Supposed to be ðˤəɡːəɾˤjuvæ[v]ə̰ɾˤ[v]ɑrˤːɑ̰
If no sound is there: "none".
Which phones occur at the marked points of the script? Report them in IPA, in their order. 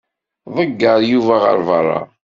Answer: ʁ, v

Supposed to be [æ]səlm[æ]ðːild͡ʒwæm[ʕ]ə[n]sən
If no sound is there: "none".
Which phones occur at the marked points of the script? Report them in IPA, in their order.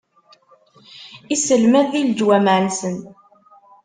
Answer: i, æ, ʕ, n

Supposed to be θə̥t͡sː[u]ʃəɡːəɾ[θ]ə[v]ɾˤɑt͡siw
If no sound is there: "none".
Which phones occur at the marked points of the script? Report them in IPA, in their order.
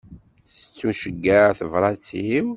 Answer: u, θ, v

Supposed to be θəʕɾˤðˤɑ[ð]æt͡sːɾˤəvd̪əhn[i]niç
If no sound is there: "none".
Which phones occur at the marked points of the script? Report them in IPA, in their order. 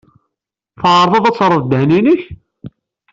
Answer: ð, i

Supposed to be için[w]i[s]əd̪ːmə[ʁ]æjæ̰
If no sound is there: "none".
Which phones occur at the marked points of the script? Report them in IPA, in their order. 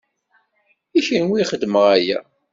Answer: w, χ, ʁ

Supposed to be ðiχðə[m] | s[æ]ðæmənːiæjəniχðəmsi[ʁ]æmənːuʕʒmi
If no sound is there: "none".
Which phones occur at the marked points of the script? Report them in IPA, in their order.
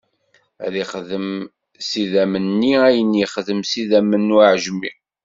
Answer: m, i, ð

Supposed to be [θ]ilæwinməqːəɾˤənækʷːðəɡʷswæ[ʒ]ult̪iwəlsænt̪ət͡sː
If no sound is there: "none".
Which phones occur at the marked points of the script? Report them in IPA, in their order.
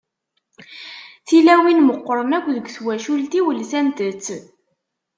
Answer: θ, ʃ

